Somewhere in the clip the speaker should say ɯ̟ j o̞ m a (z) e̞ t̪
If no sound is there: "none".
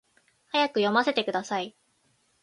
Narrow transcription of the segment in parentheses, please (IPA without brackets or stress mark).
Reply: s